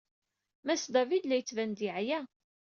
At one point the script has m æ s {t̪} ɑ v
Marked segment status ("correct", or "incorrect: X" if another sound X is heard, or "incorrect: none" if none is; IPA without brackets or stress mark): incorrect: d̪